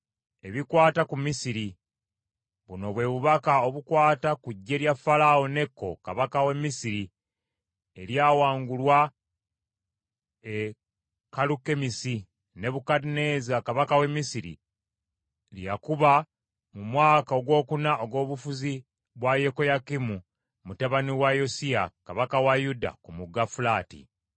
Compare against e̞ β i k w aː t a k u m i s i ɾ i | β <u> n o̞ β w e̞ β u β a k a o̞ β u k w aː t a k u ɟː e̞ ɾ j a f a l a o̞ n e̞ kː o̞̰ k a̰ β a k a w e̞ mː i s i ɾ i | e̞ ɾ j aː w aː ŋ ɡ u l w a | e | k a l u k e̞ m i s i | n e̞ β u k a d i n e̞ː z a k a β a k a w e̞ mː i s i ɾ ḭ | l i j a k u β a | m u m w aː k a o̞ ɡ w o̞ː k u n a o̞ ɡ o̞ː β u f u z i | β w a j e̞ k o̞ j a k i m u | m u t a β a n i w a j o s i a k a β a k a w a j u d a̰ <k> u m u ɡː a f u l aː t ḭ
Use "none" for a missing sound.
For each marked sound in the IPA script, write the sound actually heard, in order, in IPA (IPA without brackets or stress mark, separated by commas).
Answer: u, k